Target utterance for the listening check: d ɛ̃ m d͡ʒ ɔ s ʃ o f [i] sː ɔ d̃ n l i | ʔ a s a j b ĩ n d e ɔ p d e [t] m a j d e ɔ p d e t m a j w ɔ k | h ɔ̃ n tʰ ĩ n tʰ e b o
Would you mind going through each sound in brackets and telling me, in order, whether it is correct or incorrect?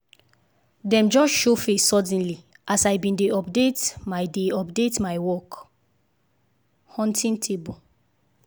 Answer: incorrect, correct

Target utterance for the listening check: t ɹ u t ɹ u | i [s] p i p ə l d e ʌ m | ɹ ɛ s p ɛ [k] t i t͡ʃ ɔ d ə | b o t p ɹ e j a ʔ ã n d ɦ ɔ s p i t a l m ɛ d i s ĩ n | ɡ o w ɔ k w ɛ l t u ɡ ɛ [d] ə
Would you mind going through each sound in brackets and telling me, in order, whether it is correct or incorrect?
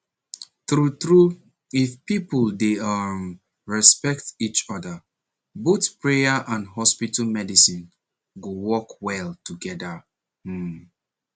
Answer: incorrect, correct, correct

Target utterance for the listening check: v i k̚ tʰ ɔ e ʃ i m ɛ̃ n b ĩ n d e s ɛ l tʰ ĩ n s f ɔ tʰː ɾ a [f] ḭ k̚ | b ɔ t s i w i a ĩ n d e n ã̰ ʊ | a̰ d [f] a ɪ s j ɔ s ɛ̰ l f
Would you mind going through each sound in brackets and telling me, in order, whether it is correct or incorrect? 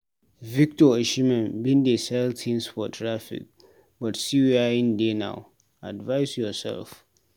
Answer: correct, incorrect

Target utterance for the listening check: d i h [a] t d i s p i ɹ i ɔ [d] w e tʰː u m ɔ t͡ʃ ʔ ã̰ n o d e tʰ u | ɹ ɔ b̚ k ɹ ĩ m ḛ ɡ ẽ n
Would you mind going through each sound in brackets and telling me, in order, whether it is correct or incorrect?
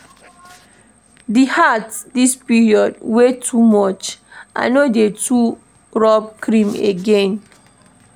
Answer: correct, correct

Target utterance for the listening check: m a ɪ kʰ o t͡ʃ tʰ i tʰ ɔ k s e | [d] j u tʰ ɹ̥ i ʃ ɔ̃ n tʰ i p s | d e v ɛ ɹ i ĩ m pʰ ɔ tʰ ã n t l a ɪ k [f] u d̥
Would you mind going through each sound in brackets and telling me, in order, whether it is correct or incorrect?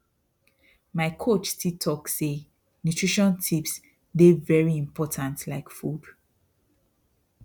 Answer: incorrect, correct

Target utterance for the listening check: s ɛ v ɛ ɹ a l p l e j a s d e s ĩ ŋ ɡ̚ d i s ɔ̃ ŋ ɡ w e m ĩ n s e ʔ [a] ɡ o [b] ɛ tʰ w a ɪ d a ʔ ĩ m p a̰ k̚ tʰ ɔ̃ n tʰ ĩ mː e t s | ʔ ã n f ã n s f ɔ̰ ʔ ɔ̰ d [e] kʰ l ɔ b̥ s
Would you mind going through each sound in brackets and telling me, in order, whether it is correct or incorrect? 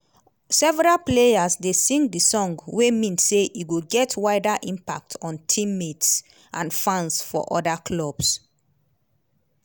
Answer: incorrect, incorrect, incorrect

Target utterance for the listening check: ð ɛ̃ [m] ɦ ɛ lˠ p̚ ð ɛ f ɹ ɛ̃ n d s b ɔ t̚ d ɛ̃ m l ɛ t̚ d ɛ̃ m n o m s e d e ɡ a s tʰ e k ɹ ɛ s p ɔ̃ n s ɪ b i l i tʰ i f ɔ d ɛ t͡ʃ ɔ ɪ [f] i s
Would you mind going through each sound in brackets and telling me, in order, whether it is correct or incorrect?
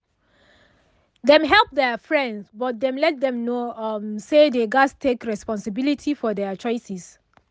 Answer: correct, incorrect

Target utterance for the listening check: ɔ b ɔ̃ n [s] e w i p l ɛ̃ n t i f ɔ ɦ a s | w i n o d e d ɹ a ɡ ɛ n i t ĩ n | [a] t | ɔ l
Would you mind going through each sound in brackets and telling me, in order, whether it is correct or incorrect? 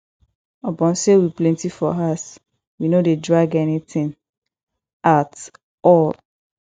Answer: correct, correct

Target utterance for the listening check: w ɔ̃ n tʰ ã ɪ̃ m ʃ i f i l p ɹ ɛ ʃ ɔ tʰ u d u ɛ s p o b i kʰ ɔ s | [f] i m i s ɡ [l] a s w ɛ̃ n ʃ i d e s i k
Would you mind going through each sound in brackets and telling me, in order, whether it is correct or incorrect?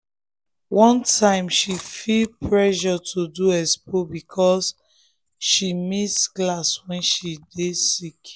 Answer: incorrect, correct

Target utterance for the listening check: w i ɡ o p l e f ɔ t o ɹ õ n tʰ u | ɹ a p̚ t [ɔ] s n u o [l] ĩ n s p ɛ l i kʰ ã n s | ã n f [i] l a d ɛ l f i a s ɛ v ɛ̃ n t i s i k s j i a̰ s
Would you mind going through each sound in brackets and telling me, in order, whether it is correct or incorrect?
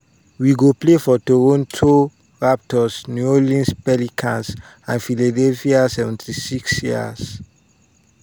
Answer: correct, correct, correct

